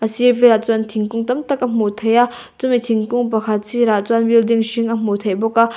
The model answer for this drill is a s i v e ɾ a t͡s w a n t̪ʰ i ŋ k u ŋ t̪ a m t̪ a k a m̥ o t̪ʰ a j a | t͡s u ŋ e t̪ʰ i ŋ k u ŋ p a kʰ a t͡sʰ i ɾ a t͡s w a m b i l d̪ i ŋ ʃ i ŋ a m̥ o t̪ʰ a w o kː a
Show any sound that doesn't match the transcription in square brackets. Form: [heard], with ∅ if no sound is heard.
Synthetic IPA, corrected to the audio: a s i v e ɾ a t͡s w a n t̪ʰ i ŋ k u ŋ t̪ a m t̪ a k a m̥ o t̪ʰ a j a | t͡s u [m] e t̪ʰ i ŋ k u ŋ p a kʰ a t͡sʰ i ɾ a t͡s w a [n] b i l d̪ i ŋ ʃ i ŋ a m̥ o t̪ʰ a [b] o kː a